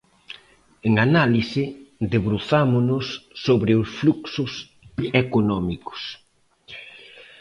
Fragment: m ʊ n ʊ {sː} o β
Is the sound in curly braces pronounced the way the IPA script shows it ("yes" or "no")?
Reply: yes